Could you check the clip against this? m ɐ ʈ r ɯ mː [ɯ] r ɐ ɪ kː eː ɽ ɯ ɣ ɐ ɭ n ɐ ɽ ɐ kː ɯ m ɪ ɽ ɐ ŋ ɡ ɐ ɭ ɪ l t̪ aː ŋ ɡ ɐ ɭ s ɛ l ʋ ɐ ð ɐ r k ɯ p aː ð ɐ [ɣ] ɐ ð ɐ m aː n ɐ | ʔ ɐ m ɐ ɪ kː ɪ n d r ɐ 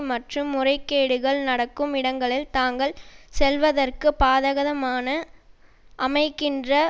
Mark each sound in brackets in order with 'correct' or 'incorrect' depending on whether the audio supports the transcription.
incorrect: ʊ, correct

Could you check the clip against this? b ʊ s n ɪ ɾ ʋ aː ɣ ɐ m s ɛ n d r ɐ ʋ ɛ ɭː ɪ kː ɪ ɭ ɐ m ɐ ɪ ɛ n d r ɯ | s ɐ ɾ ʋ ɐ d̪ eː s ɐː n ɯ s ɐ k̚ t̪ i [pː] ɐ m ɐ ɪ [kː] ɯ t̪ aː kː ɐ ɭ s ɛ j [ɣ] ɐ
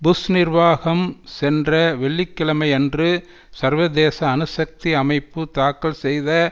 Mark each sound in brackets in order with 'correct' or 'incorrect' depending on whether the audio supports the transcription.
incorrect: none, incorrect: pː, incorrect: ð

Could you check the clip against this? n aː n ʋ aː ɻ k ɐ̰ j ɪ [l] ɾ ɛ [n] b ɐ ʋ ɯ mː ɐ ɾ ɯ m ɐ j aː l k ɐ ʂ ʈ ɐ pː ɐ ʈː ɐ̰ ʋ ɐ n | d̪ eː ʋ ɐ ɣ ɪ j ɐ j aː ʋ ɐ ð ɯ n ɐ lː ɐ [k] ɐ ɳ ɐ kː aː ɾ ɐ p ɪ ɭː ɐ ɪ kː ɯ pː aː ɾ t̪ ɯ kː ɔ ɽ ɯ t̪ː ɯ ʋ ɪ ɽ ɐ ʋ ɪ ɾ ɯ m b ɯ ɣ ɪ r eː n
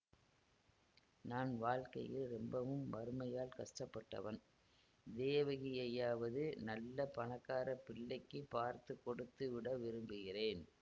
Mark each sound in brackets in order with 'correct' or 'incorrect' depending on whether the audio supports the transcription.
correct, incorrect: m, incorrect: p

